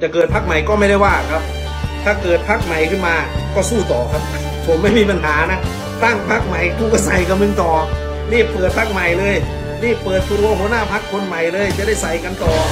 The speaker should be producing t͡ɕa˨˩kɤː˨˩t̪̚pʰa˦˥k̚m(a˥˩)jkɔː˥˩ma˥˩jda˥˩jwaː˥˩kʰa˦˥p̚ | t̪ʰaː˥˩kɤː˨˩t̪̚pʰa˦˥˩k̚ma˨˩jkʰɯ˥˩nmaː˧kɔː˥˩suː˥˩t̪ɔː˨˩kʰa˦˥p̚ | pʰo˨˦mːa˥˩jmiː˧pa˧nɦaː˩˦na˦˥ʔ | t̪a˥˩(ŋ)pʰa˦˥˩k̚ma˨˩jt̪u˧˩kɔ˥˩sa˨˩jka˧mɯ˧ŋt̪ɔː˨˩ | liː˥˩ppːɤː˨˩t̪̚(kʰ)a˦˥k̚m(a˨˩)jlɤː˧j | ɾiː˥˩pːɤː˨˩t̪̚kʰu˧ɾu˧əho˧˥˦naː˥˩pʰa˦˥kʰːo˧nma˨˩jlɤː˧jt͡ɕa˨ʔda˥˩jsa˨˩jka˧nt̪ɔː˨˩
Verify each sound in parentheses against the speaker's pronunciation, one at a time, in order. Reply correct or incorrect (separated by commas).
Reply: incorrect, correct, incorrect, correct